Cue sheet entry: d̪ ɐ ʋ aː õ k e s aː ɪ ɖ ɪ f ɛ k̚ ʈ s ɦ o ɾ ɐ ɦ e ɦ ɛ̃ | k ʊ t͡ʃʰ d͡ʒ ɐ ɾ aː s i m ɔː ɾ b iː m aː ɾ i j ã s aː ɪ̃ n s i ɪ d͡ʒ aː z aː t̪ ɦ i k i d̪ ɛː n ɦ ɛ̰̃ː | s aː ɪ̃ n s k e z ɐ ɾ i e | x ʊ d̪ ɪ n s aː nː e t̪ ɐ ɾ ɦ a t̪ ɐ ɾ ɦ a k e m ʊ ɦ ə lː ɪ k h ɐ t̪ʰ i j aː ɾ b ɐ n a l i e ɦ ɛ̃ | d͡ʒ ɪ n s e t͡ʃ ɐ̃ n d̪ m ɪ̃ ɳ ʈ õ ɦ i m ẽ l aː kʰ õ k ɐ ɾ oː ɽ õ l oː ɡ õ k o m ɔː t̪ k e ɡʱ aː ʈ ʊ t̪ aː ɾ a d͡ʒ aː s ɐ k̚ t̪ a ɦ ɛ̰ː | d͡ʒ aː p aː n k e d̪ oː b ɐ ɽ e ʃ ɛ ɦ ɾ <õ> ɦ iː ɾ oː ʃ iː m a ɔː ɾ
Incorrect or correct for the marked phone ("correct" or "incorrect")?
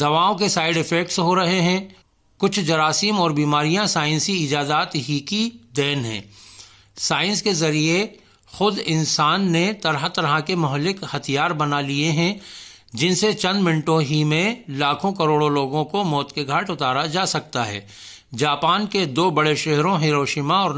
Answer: correct